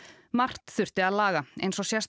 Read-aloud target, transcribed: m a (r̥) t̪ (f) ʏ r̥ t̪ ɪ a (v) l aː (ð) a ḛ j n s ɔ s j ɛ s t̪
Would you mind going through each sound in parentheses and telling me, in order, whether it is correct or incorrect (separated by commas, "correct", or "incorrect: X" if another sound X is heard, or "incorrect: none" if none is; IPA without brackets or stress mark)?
correct, incorrect: θ, incorrect: ð, incorrect: ɣ